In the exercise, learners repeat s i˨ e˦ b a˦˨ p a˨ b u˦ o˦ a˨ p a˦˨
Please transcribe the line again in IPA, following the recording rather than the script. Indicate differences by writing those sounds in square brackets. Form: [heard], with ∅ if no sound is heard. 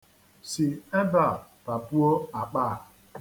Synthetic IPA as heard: s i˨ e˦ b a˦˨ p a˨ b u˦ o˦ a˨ [k͡p] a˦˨